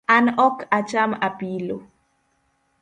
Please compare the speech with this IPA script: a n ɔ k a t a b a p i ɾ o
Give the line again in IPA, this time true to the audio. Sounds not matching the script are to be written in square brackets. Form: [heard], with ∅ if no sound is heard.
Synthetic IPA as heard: a n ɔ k a [t͡ʃ] a [m] a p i [l] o